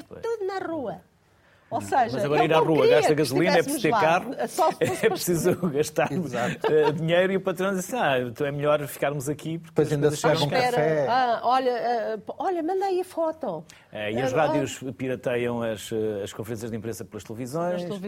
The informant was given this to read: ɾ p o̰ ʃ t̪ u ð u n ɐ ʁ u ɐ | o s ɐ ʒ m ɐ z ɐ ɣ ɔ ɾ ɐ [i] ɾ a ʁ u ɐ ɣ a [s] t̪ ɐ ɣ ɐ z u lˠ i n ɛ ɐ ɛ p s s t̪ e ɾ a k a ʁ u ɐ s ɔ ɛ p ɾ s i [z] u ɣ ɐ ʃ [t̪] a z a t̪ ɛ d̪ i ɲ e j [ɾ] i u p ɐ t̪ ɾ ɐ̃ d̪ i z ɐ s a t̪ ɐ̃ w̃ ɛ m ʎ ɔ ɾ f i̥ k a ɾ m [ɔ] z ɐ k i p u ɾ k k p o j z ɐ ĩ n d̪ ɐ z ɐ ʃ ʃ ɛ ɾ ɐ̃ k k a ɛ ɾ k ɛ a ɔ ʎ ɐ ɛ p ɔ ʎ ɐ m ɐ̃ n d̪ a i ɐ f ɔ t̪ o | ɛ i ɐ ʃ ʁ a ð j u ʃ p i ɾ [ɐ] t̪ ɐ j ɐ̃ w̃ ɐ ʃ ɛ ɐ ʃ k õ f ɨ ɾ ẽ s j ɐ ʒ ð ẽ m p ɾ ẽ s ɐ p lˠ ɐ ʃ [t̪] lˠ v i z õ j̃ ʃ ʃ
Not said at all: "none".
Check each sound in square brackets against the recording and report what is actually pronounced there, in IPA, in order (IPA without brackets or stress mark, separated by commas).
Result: i, ʃ, z, t̪, ɾ, u, ɐ, t̪